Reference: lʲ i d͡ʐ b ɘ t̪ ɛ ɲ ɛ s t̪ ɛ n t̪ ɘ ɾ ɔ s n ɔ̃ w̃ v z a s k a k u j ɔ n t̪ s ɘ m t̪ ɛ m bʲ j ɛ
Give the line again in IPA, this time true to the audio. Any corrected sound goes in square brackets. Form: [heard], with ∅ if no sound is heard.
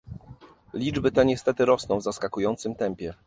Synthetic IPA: lʲ i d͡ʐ b ɘ t̪ ɛ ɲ ɛ s t̪ ɛ [∅] t̪ ɘ ɾ ɔ s n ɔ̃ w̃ v z a s k a k u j ɔ n t̪ s ɘ m t̪ ɛ m [pʲ] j ɛ